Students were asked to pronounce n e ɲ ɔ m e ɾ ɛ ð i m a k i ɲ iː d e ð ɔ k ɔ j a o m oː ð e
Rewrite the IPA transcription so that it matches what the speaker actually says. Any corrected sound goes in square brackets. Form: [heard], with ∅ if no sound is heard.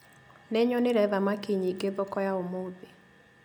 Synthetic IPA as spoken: n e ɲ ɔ [n] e ɾ ɛ ð [a] m a k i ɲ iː [ɡ] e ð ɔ k ɔ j a o m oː ð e